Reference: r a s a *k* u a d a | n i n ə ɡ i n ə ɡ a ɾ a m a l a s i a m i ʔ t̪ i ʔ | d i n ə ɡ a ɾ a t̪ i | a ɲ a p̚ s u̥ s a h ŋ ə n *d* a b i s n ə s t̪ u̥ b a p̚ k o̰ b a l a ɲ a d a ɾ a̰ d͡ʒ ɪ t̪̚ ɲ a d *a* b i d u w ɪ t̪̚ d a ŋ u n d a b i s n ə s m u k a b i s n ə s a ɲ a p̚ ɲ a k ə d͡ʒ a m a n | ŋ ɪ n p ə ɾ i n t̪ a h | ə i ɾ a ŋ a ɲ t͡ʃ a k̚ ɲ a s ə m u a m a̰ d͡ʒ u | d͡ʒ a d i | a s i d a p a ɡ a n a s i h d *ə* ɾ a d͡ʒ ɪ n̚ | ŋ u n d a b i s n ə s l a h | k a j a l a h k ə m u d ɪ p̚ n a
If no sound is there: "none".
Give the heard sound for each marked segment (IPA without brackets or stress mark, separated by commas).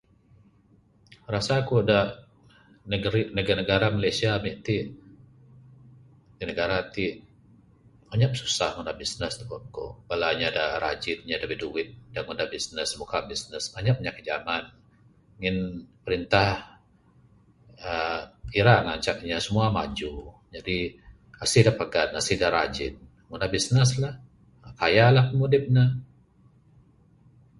k, d, a, a